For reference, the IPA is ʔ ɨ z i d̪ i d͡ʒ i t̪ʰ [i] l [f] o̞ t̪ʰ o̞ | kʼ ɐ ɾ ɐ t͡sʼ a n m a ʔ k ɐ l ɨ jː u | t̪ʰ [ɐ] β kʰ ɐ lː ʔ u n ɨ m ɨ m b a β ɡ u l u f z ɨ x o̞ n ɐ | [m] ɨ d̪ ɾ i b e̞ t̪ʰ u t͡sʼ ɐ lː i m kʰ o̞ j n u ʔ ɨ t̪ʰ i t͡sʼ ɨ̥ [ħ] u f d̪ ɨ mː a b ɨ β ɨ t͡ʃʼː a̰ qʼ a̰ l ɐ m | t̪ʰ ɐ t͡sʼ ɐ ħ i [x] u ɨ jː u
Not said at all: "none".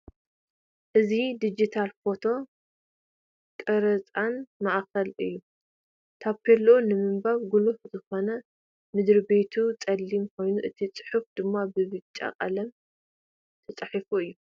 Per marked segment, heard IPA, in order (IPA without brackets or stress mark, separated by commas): a, f, a, m, ħ, f